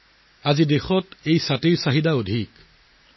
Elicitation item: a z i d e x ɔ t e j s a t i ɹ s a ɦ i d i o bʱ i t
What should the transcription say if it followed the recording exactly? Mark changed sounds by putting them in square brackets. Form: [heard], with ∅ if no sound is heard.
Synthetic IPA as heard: a z i d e x ɔ t e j s a t i ɹ s a ɦ i d [a] o [dʱ] i [k]